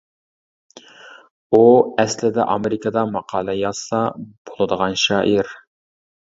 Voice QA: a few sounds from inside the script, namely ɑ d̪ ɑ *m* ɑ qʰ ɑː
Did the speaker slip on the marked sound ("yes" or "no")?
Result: no